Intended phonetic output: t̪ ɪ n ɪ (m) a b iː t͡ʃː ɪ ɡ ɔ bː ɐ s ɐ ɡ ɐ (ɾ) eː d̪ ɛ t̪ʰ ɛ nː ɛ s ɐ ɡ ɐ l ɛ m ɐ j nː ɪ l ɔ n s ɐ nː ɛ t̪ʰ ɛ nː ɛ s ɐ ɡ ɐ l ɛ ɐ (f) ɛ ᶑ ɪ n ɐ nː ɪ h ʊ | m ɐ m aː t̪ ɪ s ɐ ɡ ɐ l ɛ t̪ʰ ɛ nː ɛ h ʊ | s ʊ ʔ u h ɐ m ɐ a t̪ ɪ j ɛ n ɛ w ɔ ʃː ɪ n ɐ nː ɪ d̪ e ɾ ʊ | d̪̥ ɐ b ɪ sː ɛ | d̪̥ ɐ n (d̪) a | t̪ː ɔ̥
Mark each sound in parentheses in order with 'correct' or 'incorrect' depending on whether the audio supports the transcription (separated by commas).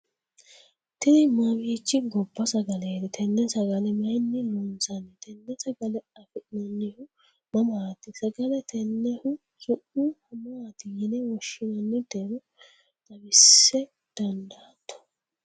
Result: correct, incorrect, correct, correct